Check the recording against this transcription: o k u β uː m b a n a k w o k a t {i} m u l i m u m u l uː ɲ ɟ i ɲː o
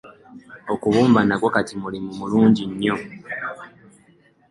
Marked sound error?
no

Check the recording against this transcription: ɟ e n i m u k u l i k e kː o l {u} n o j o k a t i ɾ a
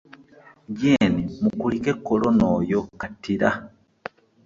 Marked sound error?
yes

